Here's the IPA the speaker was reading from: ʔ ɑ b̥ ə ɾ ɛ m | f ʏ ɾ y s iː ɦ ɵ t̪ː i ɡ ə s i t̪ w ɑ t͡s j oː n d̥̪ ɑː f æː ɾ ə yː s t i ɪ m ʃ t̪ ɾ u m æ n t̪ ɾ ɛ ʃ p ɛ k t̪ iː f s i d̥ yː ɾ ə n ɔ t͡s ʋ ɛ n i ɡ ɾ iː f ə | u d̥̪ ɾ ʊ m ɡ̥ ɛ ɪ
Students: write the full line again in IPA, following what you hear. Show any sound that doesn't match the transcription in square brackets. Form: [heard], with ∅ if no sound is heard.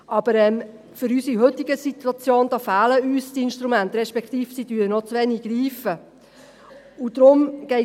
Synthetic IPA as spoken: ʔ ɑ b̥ ə ɾ ɛ m | f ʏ ɾ y s [i] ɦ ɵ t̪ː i ɡ ə s i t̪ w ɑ t͡s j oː n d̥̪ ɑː f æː [l] ə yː s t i ɪ [n] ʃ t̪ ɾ u m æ n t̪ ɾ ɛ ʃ p ɛ k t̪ iː f s i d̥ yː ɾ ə n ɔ t͡s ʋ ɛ n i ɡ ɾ iː f ə | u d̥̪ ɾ ʊ m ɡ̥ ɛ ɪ